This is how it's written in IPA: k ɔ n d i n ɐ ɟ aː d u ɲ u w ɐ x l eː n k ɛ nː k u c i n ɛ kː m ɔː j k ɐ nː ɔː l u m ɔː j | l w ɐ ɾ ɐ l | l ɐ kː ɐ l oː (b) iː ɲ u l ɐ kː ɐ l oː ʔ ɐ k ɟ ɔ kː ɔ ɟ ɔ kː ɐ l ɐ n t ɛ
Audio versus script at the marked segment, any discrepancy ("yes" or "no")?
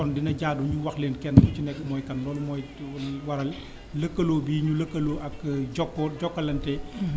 no